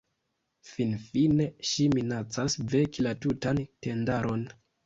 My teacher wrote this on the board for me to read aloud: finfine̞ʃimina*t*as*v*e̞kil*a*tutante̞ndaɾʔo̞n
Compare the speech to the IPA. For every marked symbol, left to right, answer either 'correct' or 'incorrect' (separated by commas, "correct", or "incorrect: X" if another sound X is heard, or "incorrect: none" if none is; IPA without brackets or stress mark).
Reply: incorrect: t͡s, correct, correct